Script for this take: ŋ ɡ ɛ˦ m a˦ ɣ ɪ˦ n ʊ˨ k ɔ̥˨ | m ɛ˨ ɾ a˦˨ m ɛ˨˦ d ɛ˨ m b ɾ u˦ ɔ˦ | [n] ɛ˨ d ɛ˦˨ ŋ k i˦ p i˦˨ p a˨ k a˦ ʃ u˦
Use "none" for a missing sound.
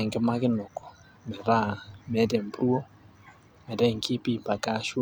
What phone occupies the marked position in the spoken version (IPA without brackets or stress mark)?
m